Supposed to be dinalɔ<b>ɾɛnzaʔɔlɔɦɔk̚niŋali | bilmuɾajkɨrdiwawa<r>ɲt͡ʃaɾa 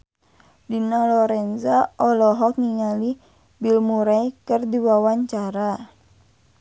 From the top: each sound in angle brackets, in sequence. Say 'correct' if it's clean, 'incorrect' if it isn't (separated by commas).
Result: incorrect, incorrect